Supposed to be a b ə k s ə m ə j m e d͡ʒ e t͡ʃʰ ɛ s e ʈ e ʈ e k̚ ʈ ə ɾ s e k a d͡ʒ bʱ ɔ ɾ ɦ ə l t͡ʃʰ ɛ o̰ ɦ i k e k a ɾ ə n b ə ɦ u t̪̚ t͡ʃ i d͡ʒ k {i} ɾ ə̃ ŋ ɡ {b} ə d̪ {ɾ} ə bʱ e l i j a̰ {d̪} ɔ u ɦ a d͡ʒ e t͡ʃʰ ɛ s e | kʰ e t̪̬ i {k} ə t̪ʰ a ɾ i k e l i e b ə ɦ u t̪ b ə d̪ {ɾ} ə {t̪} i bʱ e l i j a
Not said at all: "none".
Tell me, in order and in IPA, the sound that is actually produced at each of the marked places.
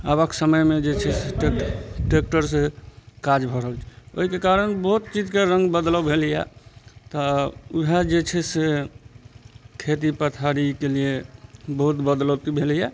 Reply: e, b, l, t̪, p, l, t̪

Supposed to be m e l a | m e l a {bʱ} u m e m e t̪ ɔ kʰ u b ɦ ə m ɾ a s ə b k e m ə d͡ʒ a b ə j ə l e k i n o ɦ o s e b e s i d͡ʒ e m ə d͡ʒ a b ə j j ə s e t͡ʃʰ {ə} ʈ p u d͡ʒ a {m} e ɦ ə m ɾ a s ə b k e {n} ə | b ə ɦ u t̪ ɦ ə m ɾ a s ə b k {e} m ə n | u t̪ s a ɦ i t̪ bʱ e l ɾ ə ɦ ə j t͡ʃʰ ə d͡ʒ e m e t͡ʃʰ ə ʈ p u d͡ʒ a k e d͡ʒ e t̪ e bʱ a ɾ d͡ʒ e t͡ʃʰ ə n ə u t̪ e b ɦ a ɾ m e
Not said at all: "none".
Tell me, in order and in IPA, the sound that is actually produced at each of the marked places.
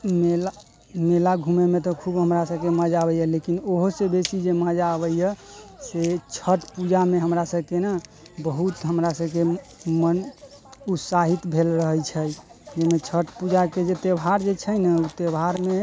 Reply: ɡʱ, ə, m, n, e

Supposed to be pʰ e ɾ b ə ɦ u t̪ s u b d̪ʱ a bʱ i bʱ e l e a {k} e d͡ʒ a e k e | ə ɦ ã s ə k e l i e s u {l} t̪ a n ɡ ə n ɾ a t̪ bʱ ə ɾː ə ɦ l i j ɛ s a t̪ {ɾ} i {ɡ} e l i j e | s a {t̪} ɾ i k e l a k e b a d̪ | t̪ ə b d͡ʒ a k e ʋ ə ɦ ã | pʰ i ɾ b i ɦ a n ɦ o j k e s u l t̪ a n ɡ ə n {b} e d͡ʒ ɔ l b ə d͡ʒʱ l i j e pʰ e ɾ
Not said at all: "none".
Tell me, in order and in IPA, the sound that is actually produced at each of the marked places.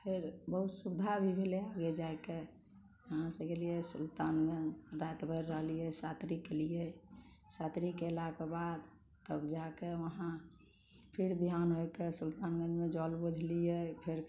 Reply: ɡ, l, ɾ, k, t̪, m

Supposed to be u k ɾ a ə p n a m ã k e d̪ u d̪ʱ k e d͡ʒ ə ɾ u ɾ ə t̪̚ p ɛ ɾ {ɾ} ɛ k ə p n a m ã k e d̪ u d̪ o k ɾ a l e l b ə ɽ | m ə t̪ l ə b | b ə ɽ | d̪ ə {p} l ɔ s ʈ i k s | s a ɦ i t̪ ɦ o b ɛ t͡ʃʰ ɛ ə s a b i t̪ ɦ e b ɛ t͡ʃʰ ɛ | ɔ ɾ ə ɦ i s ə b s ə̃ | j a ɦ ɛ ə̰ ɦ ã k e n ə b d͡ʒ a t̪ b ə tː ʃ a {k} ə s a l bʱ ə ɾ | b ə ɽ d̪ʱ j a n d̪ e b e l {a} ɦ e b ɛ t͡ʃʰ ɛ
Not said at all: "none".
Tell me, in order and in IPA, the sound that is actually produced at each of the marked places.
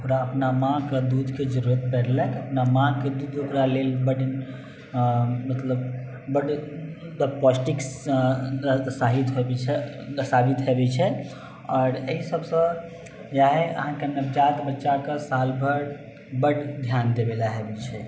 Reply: l, p, k, a

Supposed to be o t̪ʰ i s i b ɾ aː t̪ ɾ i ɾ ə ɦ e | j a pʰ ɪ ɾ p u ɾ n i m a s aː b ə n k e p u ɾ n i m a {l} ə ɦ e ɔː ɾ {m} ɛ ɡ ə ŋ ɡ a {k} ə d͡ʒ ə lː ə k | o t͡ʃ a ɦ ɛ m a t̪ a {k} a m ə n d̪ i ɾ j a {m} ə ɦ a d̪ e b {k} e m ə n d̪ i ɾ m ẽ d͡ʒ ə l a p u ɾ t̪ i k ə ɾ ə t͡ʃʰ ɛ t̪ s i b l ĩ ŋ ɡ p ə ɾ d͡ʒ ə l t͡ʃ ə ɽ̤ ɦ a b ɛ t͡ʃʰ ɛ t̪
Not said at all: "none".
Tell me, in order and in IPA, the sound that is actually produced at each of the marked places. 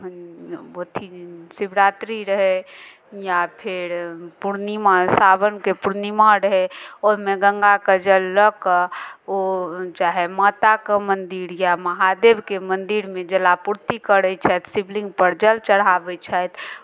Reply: ɾ, m, k, k, m, k

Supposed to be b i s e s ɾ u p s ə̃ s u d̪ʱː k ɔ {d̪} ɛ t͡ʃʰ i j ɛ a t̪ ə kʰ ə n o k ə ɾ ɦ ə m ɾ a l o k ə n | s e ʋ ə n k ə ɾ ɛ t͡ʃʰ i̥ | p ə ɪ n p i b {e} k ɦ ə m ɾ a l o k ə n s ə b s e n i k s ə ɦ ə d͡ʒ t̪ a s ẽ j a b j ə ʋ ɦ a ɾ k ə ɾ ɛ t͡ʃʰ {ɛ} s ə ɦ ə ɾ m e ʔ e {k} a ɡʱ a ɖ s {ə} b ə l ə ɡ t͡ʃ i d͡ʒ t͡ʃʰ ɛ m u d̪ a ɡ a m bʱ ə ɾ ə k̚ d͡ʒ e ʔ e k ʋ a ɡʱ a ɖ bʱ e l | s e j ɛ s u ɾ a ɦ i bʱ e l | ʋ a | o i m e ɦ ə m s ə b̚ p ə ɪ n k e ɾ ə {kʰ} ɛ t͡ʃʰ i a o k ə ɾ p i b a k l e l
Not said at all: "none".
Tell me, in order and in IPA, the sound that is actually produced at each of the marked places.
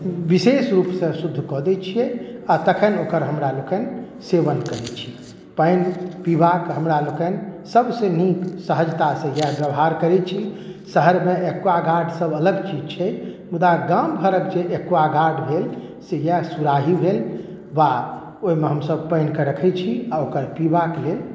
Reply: d̪, a, i, k, ə, kʰ

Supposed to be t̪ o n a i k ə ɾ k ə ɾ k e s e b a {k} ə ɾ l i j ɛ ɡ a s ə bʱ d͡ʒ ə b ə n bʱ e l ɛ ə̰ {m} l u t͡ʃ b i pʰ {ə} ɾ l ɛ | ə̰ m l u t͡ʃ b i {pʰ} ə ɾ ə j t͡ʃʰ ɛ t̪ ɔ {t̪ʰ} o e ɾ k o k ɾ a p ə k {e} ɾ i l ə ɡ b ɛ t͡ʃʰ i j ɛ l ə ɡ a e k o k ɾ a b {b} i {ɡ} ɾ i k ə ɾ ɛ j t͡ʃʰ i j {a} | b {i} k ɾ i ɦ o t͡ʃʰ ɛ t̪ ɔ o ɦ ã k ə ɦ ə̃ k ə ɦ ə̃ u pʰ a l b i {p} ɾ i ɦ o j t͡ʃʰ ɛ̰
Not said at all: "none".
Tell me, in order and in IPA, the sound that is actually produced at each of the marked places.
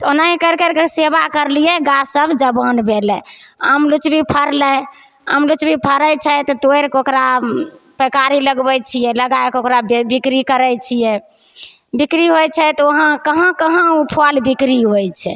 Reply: k, m, ə, pʰ, t̪, a, b, k, ɛ, i, k

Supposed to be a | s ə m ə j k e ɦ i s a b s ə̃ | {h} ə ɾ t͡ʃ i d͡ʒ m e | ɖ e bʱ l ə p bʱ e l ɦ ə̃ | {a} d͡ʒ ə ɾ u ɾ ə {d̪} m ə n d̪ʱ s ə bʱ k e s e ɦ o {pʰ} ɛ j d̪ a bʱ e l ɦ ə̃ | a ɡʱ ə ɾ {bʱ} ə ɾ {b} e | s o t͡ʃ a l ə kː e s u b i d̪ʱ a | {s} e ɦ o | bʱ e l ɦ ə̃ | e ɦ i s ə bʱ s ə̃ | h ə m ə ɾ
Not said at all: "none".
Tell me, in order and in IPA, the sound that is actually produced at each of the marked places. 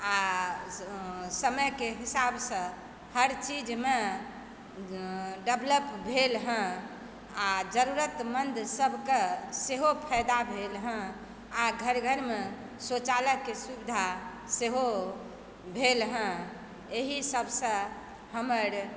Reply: h, a, t̪, pʰ, ɡʱ, m, s

